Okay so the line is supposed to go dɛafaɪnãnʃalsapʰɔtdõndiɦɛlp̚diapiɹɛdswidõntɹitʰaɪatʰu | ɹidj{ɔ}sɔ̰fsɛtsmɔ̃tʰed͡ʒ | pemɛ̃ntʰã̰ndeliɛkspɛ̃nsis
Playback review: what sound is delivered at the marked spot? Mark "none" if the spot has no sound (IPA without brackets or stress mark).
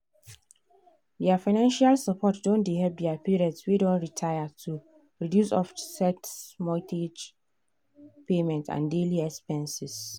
u